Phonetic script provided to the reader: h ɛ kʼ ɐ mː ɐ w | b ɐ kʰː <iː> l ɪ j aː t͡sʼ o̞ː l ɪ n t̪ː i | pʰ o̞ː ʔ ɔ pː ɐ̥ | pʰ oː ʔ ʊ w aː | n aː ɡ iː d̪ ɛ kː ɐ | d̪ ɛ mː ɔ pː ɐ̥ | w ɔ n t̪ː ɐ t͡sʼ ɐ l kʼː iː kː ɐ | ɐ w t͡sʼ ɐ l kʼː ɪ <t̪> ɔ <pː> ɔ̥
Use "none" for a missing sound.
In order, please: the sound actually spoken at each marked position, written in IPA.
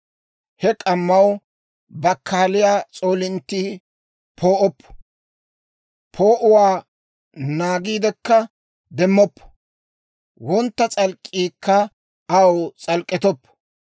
aː, t̪, pː

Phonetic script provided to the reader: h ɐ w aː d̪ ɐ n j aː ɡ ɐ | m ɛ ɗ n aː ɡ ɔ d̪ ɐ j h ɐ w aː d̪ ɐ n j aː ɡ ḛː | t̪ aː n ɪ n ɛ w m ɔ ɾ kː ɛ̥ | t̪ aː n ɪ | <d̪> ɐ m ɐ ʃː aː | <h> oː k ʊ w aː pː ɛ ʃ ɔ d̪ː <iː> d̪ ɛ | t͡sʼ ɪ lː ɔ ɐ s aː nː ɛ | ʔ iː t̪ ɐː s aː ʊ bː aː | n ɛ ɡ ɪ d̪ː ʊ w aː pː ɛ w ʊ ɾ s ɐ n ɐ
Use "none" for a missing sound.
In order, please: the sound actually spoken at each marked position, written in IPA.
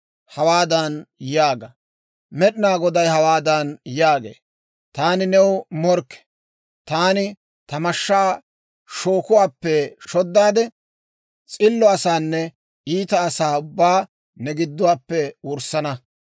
t̪, ʃ, aː

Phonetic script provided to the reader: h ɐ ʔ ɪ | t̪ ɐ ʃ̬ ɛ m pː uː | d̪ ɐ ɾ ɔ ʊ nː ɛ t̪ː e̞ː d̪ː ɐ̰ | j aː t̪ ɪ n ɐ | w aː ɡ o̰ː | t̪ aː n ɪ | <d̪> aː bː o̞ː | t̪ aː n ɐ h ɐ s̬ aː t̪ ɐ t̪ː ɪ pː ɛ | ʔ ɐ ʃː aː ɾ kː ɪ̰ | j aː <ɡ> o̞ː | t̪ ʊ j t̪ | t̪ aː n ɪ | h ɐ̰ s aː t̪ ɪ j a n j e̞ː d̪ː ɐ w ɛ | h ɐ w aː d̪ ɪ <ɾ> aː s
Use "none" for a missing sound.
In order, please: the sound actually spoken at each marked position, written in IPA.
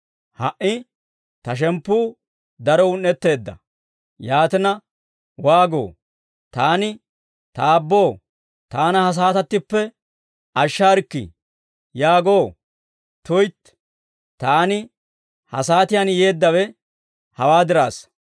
t̪, ɡ, ɾ

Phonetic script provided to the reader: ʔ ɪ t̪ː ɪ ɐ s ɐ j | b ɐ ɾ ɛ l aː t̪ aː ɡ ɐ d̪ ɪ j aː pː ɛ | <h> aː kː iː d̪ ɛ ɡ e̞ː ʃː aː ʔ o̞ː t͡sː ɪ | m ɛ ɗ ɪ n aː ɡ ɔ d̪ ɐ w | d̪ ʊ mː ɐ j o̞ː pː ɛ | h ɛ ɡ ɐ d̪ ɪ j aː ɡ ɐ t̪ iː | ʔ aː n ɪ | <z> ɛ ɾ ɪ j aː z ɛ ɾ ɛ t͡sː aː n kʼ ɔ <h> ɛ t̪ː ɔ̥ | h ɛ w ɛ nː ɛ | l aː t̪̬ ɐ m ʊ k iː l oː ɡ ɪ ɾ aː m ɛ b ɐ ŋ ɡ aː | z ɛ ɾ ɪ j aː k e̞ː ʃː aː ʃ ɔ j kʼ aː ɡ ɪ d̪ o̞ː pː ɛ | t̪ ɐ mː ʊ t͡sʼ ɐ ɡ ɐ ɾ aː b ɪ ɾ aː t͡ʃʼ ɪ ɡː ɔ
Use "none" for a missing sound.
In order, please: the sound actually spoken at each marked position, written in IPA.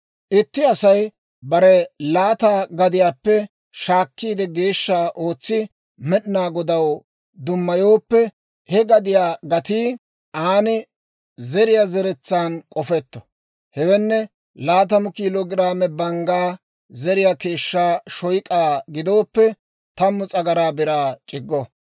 ʃ, z, f

